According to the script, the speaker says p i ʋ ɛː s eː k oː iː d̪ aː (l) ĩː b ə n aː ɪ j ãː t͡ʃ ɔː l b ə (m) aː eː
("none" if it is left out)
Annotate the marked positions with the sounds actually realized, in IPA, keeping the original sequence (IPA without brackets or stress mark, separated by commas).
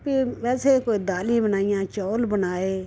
l, n